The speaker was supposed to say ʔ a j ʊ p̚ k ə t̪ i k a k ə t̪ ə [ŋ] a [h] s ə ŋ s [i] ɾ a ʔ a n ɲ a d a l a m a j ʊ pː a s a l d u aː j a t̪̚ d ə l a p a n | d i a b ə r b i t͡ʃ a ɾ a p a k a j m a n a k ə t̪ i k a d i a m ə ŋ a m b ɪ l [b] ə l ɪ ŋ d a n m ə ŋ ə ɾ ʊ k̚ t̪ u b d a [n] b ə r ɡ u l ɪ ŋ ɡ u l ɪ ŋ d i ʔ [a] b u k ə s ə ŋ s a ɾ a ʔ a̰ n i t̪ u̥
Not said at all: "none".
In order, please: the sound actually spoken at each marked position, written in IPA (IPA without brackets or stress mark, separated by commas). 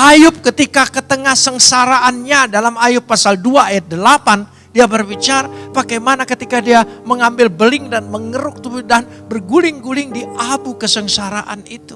ŋ, h, a, b, n, a